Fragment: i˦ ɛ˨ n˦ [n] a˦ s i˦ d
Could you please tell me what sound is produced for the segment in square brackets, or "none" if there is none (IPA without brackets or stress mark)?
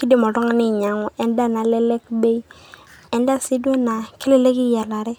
d